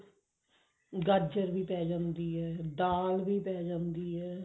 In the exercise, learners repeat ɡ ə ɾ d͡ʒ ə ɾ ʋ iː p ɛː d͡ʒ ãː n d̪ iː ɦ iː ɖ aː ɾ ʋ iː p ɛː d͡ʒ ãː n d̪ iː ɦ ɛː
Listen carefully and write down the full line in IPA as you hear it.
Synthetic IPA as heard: ɡ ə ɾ d͡ʒ ə ɾ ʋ iː p ɛː d͡ʒ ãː n d̪ iː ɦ ɛː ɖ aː l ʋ iː p ɛː d͡ʒ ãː n d̪ iː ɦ ɛː